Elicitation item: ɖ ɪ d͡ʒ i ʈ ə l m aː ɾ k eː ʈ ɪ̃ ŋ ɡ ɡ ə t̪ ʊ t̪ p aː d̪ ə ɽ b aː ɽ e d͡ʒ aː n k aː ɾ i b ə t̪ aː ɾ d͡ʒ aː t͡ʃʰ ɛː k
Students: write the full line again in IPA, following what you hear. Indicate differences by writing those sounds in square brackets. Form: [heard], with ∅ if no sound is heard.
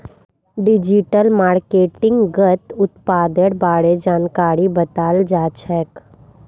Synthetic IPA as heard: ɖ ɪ d͡ʒ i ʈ ə l m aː ɾ k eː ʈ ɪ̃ ŋ ɡ ɡ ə t̪ ʊ t̪ p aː d̪ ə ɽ b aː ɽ e d͡ʒ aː n k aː ɾ i b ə t̪ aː [l] d͡ʒ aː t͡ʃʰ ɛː k